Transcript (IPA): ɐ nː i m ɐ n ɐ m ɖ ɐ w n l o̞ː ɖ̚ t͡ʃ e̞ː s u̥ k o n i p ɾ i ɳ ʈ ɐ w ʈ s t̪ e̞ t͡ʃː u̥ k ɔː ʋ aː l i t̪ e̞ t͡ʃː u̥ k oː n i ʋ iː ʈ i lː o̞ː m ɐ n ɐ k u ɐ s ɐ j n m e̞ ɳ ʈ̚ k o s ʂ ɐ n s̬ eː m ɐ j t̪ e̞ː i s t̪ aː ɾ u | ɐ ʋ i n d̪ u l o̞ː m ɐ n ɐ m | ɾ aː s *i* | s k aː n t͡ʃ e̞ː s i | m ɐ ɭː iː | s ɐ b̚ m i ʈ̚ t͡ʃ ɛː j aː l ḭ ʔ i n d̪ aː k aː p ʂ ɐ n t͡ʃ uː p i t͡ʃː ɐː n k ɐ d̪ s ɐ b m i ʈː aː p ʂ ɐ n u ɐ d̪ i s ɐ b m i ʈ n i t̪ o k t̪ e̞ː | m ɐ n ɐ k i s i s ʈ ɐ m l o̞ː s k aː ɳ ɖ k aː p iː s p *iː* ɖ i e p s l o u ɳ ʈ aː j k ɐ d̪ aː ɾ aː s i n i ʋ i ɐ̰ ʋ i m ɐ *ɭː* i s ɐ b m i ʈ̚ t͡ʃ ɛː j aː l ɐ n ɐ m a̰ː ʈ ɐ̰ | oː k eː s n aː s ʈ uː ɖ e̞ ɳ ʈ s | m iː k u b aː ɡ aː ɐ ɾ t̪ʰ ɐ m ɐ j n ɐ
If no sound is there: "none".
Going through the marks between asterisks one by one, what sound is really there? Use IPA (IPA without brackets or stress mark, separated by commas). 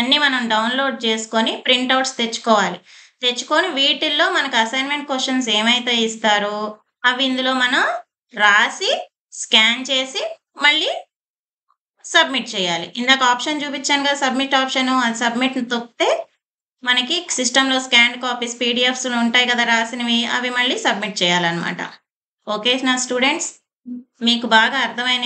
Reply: i, iː, ɭː